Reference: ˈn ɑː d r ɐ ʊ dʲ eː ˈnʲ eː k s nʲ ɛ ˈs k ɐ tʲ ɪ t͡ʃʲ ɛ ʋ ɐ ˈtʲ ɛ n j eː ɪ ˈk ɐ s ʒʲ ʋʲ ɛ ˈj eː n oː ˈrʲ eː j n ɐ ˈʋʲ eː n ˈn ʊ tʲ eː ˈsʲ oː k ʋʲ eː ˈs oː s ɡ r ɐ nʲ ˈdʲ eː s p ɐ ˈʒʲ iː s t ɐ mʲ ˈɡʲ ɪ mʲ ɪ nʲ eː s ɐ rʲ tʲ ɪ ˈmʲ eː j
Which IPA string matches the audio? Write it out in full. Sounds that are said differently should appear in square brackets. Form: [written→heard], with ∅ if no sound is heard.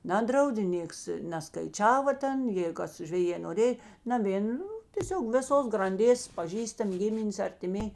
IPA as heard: ˈn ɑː d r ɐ ʊ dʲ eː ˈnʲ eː k s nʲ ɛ ˈs k ɐ [tʲ→∅] ɪ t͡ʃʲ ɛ ʋ ɐ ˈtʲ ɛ n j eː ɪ ˈk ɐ s ʒʲ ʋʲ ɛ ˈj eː n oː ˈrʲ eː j n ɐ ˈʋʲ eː n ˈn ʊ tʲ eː ˈsʲ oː k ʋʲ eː ˈs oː s ɡ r ɐ nʲ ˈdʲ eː s p ɐ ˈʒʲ iː s t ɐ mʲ ˈɡʲ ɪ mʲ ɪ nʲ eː s ɐ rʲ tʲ ɪ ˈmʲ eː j